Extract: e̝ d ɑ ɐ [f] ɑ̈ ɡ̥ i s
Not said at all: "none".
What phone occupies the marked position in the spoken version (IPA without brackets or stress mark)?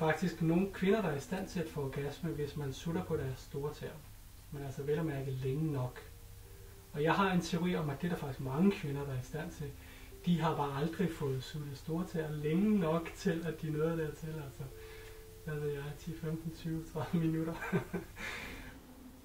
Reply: f